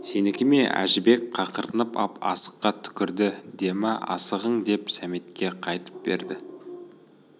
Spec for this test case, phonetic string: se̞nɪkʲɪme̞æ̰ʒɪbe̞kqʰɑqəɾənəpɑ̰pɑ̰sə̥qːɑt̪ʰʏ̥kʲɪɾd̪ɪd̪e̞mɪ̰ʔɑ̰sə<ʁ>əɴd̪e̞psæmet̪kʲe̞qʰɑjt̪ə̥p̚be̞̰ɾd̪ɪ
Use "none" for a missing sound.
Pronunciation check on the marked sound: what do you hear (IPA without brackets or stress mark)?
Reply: ʁ